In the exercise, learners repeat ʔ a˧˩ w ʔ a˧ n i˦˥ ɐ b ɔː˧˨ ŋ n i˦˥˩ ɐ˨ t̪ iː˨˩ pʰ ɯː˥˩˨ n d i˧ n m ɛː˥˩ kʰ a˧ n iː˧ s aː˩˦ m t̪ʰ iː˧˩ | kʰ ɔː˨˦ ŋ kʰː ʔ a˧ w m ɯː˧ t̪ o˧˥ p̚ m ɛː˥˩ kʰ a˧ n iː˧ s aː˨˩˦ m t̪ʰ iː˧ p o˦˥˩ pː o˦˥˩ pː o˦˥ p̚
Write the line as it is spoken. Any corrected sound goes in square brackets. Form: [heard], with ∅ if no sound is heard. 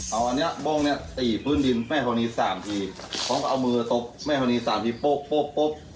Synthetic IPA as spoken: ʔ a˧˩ w ʔ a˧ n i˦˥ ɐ b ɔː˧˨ ŋ n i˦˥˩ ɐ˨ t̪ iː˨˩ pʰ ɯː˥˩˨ n d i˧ n m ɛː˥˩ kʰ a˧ n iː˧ s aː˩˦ m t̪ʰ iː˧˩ | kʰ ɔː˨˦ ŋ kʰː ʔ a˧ w m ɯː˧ t̪ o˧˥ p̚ m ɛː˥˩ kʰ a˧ n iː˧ s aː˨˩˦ m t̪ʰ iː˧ p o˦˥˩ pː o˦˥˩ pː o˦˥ p̚